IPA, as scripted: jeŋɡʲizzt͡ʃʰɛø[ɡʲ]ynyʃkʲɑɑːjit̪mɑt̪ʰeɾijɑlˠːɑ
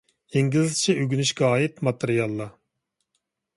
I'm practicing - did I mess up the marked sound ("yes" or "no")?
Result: no